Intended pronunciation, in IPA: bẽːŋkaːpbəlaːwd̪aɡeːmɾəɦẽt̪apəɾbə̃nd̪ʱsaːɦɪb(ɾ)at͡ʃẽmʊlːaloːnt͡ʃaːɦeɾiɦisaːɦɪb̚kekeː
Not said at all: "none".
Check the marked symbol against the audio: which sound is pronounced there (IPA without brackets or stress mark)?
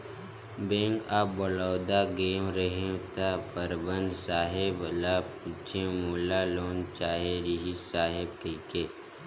l